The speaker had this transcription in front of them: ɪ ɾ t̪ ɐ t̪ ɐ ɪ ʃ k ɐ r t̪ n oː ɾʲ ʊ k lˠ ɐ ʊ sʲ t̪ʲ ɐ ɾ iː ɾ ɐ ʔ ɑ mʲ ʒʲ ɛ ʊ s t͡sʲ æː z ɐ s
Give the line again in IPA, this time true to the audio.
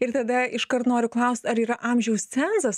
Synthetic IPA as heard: ɪ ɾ t̪ ɐ d̪ ɐ ɪ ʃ k ɐ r t̪ n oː ɾʲ ʊ k lˠ ɐ ʊ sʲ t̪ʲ ɐ ɾ iː ɾ ɐ ʔ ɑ mʲ ʒʲ ɛ ʊ s t͡sʲ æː z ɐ s